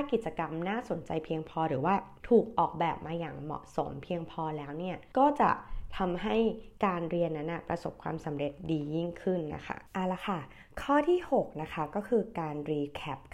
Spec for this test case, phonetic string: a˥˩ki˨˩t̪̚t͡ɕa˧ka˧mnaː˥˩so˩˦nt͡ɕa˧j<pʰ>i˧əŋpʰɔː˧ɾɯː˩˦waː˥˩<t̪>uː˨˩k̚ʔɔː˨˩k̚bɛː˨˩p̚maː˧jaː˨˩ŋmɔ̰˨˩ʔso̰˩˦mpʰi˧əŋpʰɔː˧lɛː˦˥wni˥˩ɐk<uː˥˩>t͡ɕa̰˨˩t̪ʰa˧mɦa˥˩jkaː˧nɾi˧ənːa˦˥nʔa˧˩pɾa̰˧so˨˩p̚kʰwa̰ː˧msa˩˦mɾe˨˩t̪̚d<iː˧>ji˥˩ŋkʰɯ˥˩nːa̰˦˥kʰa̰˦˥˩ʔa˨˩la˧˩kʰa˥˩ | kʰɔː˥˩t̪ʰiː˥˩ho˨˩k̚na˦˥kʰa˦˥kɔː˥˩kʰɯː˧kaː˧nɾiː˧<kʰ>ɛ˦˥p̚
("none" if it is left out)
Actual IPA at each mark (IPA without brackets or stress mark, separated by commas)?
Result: pʰ, t̪ʰ, ɔː˥˩, iː˧, kʰ